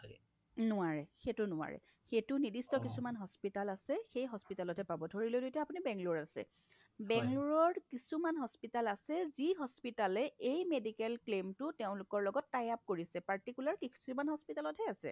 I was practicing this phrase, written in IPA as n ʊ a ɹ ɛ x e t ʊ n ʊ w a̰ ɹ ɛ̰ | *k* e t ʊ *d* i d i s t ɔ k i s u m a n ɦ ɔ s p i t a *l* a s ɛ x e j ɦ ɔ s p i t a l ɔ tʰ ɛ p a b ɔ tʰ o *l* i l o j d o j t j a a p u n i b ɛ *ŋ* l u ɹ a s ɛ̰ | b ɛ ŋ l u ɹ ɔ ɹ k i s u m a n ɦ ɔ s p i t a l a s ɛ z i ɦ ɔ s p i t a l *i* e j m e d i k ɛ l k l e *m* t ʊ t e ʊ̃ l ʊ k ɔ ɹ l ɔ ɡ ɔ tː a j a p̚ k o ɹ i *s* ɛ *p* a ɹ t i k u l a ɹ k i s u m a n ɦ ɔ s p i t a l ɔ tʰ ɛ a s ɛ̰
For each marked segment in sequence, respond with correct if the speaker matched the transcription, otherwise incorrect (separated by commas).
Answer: incorrect, incorrect, correct, incorrect, correct, incorrect, correct, correct, correct